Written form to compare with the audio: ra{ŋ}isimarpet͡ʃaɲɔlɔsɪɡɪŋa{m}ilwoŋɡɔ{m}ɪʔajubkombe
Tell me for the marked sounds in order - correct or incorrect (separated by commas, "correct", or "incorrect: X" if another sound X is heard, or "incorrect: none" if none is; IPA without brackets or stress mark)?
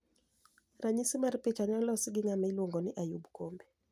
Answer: incorrect: ɲ, correct, incorrect: n